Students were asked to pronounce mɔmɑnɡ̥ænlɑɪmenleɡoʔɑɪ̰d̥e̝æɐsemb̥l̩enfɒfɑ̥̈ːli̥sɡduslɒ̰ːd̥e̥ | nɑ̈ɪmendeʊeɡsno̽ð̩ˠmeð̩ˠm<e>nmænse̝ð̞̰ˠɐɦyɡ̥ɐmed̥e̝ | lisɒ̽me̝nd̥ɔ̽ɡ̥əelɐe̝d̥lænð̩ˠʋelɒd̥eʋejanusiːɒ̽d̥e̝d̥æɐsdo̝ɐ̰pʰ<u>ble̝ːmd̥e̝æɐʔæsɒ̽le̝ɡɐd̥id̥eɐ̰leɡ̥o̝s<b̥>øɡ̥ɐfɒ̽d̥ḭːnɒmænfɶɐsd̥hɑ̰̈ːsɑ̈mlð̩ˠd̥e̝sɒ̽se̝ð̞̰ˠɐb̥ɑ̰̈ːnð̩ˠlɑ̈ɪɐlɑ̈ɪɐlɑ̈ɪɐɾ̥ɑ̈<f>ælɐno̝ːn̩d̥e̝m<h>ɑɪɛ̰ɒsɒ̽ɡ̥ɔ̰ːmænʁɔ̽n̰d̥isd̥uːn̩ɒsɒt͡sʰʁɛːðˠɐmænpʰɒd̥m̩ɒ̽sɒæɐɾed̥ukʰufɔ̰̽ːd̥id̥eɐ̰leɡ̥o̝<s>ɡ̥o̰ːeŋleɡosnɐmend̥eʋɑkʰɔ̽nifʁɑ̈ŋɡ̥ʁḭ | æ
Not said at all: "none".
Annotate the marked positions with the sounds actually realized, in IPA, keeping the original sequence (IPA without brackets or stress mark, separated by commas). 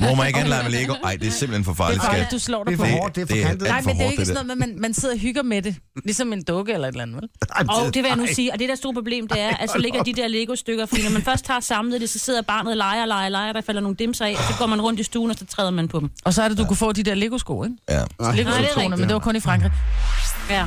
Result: æ, o, d̥, f, s, s